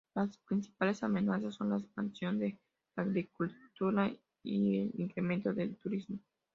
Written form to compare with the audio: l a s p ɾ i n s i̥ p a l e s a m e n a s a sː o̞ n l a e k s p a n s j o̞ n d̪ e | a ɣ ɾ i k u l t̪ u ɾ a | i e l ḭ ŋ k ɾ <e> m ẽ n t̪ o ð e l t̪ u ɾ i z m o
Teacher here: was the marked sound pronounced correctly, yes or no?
yes